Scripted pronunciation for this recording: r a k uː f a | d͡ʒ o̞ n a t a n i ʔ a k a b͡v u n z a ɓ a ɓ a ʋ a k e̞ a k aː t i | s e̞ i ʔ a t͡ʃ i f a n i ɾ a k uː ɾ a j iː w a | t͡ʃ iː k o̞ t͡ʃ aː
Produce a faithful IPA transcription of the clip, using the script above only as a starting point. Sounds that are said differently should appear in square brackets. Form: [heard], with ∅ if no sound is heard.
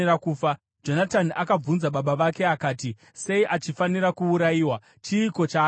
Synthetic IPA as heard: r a k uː f a | d͡ʒ o̞ n a t a n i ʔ a k a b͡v u n z a ɓ a ɓ a ʋ a k e̞ a k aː t i | s e̞ i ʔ a t͡ʃ i f a n i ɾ a k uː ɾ a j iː w a | t͡ʃ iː k o̞ t͡ʃ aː